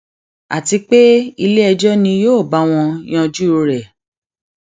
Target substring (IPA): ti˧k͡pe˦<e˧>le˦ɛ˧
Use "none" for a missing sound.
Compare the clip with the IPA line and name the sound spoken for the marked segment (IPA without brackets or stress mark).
i˧